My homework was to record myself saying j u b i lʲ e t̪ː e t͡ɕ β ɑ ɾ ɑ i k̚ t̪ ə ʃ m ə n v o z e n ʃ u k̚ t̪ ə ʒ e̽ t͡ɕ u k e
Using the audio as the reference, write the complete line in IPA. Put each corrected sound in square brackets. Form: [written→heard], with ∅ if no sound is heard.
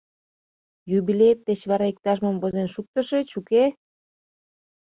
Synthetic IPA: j u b i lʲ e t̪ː e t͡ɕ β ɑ ɾ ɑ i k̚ t̪ [ə→ɑ] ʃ m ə [n→m] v o z e n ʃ u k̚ t̪ ə [ʒ→ʃ] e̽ t͡ɕ u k e